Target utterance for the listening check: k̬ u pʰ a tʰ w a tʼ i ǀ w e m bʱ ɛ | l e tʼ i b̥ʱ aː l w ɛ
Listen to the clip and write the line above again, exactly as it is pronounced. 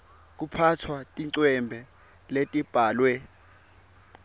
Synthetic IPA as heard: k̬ u pʰ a tʰ w a tʼ i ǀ w ɛ m bʱ ɛ | l e tʼ i b̥ʱ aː l w ɛ

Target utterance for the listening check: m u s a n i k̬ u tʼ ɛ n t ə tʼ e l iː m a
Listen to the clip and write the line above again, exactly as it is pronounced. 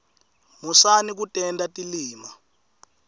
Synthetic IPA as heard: m u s a n i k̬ u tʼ ɛ n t a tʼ i l iː m a

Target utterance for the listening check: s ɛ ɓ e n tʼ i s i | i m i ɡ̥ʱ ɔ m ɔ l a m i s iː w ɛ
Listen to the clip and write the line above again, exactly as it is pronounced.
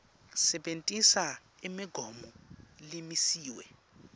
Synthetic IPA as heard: s ɛ ɓ e n tʼ i s a | i m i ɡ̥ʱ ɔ m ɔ l i m i s iː w ɛ

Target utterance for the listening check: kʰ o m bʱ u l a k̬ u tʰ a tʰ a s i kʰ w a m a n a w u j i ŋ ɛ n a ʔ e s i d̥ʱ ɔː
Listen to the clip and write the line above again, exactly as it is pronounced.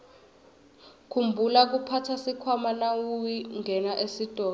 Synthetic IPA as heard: kʰ u m bʱ u l a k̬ u pʰ a tʰ a s i kʰ w a m a n a w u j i ŋ ɛ n a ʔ e s i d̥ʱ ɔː

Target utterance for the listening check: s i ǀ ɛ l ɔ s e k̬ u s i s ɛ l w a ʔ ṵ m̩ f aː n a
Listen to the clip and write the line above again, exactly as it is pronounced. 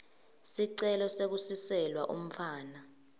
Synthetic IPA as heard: s i ǀ ɛ l ɔ s e k̬ u s i s ɛ l w a ʔ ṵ m̩ f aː n a

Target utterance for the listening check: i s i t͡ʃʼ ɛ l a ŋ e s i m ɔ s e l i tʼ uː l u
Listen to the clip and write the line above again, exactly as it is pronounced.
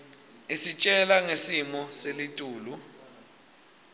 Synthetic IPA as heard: i s i t͡ʃʼ ɛ l a ŋ e s i m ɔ s e l i tʼ uː l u

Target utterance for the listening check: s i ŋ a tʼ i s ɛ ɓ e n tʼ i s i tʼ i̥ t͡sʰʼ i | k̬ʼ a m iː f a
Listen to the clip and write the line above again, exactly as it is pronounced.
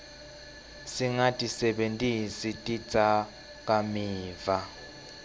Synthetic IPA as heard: s i ŋ a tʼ i s ɛ ɓ e n tʼ i s i tʼ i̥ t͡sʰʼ a | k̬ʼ a m iː v a

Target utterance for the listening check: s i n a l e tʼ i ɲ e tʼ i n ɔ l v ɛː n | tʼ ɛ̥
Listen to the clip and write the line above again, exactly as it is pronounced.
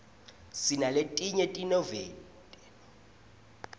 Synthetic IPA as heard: s i n a l e tʼ i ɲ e tʼ i n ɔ v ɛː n | tʼ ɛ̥

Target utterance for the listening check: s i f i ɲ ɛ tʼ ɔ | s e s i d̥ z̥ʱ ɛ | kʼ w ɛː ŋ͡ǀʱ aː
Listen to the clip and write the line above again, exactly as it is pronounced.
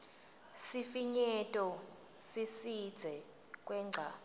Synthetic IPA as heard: s i f i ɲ ɛ tʼ ɔ | s i s i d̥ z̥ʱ ɛ | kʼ w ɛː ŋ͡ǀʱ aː

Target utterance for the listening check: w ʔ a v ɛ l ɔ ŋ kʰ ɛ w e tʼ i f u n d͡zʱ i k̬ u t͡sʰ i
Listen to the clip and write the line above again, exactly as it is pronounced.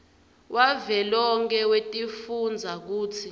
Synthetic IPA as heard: w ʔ a v ɛ l ɔ ŋ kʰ ɛ w e tʼ i f u n d͡zʱ a k̬ uː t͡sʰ i

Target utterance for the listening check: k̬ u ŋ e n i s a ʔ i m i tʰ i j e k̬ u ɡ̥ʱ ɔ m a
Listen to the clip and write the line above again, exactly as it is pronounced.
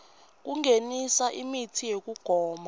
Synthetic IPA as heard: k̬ u ŋ e n i s a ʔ i m i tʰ i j e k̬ u ɡ̥ʱ ɔː m a

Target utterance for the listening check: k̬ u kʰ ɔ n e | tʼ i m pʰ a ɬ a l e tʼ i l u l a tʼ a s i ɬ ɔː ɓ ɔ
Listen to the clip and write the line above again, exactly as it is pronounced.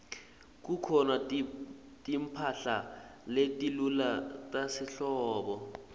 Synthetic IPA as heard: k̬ u kʰ ɔ n a | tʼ i m pʰ a ɬ a l e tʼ i l u l a tʼ a s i ɬ ɔː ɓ ɔ

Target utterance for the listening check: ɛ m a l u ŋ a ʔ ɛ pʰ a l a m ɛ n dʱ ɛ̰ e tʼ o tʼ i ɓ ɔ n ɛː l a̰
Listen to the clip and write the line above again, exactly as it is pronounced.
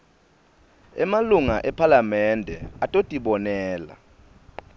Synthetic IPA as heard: ɛ m a l u ŋ a ʔ ɛ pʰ a l a m ɛ n dʱ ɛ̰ a tʼ o tʼ i ɓ ɔ n ɛː l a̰

